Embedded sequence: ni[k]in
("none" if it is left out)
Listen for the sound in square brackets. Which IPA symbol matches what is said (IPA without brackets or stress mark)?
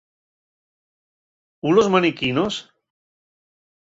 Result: k